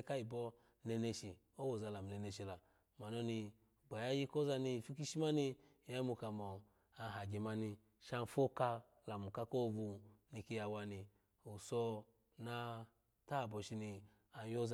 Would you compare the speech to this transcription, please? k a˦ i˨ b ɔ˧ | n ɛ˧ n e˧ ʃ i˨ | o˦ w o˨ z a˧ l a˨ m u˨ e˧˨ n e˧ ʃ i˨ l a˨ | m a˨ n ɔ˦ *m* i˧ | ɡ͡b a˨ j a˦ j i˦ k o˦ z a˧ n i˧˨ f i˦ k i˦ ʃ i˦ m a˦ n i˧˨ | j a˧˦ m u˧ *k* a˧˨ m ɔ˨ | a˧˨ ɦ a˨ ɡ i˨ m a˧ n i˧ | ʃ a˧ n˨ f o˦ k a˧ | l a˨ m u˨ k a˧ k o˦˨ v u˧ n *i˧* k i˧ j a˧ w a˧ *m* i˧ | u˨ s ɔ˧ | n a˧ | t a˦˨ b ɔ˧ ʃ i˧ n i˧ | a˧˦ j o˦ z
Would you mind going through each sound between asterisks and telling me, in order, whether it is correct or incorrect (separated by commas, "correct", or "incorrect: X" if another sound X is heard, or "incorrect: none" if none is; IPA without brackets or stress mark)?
incorrect: n, correct, correct, incorrect: n